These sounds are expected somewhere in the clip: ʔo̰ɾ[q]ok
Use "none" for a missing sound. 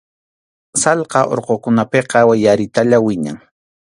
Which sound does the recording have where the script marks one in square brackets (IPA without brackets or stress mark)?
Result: q